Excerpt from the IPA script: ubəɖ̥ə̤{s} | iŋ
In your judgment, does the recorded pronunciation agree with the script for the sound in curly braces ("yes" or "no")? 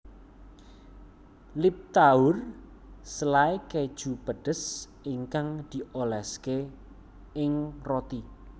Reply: yes